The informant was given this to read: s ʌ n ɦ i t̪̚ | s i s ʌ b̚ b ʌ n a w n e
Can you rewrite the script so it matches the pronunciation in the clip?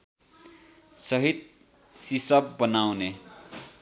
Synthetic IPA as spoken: s ʌ ɦ i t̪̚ | s i s ʌ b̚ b ʌ n a w n e